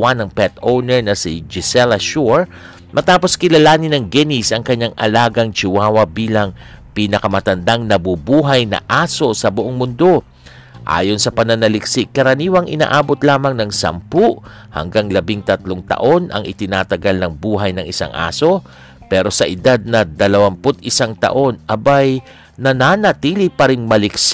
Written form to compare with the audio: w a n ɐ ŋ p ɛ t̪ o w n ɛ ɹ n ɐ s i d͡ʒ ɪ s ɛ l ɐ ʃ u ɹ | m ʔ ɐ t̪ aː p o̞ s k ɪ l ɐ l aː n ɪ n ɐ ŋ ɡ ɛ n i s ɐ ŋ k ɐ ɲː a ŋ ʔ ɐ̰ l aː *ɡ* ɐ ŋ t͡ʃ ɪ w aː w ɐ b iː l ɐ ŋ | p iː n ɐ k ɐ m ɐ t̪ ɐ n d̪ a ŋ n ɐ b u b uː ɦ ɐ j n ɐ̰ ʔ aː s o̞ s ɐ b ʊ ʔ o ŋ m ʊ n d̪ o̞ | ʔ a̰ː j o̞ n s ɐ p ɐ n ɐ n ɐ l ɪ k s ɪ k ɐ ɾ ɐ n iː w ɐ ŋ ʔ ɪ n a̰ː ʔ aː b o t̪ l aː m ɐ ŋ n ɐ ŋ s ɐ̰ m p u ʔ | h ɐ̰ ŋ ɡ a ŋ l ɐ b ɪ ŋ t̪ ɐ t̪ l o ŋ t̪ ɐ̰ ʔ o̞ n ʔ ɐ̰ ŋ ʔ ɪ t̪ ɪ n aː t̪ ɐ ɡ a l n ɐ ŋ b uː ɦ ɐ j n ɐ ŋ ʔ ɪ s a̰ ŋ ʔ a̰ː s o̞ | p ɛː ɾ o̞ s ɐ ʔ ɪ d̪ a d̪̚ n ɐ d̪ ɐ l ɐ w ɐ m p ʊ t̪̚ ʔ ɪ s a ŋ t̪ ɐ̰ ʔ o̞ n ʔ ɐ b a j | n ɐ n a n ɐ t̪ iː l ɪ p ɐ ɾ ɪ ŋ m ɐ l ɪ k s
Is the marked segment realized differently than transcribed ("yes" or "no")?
no